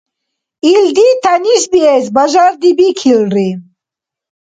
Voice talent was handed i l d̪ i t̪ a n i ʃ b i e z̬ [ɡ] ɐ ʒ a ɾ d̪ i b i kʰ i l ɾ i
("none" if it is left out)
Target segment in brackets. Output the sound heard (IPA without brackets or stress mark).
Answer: b